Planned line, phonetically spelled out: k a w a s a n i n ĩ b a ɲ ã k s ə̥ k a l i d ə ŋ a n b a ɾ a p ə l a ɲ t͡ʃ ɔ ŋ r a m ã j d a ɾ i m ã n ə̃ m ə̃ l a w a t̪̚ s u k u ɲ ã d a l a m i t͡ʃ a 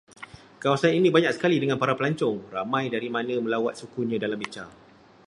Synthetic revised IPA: k a w a s a n i n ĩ b a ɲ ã k s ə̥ k a l i d ə ŋ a n p a ɾ a p ə l a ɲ t͡ʃ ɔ ŋ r a m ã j d a ɾ i m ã n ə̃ m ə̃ l a w a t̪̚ s u k u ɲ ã d a l a m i t͡ʃ a